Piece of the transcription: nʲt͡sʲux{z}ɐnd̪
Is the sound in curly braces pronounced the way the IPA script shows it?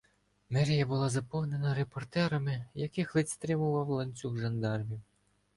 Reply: no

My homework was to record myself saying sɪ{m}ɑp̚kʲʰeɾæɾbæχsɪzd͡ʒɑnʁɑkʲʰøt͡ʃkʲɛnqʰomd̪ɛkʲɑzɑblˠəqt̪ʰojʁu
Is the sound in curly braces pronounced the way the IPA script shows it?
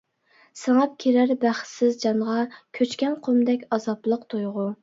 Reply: no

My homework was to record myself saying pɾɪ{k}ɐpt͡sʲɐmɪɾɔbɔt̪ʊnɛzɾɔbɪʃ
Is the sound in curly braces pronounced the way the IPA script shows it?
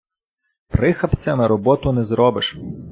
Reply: no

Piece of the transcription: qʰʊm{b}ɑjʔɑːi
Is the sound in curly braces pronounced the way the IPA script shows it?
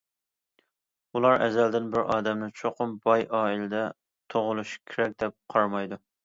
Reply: yes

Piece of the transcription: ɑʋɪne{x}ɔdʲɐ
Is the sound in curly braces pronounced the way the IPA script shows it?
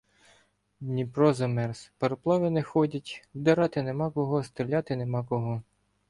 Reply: yes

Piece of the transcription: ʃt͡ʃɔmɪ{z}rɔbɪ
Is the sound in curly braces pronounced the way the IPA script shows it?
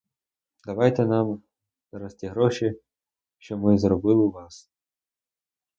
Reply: yes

